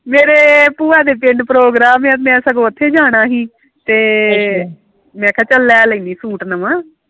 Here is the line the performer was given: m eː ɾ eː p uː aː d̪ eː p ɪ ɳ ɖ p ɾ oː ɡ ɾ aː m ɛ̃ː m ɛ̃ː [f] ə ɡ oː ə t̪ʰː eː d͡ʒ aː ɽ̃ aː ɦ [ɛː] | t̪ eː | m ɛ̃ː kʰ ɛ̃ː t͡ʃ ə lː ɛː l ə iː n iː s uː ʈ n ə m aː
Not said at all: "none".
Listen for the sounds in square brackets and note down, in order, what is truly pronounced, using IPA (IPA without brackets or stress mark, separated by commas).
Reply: s, iː